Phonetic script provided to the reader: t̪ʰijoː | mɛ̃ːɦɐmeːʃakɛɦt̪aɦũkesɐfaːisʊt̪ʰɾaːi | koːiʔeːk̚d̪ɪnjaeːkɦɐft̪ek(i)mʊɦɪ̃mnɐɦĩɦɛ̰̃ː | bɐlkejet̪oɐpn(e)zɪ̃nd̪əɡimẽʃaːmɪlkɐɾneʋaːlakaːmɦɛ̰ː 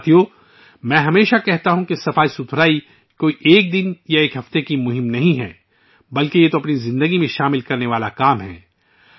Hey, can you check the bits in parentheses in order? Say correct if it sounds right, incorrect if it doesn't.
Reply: correct, incorrect: i

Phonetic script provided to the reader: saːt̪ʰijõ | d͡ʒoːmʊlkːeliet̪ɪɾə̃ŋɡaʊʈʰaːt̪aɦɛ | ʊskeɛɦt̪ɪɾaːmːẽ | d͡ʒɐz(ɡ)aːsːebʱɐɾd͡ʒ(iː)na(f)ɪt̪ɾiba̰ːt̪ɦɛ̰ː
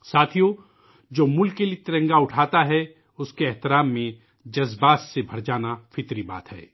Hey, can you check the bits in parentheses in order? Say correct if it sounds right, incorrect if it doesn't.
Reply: incorrect: b, incorrect: aː, correct

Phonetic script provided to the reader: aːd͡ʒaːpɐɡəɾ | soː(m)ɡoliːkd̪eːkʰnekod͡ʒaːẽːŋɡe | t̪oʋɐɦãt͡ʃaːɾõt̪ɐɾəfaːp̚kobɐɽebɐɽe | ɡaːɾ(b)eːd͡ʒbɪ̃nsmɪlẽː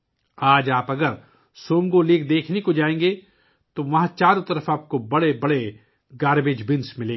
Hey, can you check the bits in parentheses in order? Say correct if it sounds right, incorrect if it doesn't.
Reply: incorrect: ŋ, correct

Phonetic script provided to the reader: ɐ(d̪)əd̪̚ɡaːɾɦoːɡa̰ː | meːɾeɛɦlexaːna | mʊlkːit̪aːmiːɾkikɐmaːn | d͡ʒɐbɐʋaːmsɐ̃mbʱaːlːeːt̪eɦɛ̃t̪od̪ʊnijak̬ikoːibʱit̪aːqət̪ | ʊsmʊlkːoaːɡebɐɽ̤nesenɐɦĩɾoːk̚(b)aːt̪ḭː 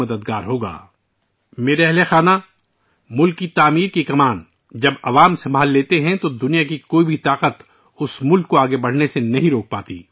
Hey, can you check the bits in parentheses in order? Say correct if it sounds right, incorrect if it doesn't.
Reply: correct, incorrect: p

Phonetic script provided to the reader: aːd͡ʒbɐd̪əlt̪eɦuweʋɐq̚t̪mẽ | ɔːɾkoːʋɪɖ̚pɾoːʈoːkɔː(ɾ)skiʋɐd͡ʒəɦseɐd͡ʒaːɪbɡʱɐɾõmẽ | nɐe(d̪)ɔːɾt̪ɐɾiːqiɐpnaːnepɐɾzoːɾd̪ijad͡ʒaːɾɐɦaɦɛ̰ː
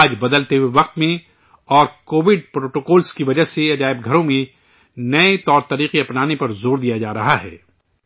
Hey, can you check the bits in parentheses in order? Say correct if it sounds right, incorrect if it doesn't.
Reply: incorrect: l, incorrect: t̪

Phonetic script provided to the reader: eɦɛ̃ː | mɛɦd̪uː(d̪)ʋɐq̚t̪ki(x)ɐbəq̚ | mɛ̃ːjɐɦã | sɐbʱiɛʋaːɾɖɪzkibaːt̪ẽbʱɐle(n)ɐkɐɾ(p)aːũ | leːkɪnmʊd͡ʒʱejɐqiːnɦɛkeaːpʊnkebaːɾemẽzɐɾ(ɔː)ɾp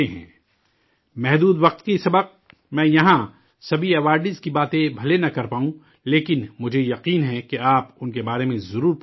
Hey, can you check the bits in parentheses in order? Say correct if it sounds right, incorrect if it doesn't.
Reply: correct, incorrect: s, correct, correct, incorrect: uː

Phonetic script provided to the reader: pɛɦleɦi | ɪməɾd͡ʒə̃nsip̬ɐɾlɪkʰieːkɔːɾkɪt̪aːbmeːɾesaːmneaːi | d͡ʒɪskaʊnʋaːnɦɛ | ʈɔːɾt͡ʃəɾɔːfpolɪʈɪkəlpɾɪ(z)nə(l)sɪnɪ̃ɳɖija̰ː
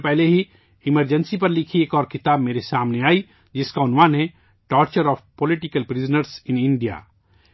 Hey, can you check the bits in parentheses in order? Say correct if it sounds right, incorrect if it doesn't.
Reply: correct, incorrect: ɾ

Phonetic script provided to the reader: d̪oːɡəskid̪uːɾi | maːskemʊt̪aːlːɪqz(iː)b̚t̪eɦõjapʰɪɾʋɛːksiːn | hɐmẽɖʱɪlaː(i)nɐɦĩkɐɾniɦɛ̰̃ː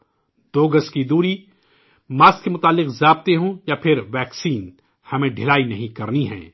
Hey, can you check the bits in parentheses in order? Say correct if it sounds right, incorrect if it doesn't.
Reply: incorrect: aː, correct

